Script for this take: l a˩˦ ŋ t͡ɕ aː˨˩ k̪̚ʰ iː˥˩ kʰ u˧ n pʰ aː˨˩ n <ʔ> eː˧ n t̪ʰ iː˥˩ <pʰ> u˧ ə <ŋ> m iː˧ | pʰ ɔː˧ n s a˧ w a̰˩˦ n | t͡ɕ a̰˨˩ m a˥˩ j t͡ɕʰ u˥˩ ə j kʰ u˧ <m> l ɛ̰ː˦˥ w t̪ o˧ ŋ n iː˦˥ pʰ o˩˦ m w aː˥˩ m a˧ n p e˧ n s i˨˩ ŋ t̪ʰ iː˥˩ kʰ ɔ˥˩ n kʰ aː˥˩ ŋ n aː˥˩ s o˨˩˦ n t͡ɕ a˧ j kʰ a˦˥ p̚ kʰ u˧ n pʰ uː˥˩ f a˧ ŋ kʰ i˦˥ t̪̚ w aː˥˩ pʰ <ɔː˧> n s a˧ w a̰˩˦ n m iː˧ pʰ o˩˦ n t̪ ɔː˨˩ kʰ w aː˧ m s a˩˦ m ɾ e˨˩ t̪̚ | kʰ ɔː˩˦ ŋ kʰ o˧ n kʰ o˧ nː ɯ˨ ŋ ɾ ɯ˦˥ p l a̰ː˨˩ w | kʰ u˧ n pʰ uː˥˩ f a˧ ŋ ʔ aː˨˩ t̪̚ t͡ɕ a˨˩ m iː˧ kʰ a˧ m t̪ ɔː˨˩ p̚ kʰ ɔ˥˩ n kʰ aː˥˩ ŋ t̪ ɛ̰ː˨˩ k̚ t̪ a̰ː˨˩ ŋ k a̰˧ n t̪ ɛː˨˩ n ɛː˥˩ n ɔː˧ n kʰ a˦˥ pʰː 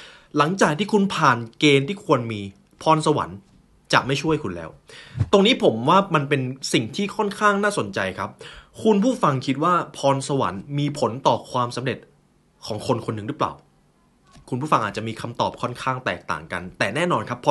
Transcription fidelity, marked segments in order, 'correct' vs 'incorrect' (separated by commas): incorrect, incorrect, incorrect, incorrect, correct